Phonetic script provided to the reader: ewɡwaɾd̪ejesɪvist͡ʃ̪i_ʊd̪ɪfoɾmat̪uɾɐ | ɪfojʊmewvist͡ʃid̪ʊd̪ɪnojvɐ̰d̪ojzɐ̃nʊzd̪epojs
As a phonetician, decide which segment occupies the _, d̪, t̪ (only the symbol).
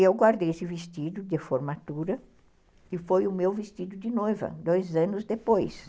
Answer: d̪